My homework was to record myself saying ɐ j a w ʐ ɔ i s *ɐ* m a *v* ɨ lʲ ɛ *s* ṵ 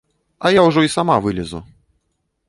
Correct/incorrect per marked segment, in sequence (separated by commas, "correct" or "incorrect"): incorrect, correct, incorrect